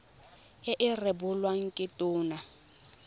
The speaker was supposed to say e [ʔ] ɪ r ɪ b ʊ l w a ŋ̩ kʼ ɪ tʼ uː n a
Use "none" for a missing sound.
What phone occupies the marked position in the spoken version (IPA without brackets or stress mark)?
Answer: ʔ